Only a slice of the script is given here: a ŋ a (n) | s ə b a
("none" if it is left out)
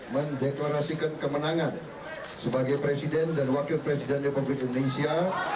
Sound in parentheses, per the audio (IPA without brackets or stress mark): n